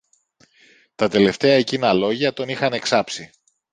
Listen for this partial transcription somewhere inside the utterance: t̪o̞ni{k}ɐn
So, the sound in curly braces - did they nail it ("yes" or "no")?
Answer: no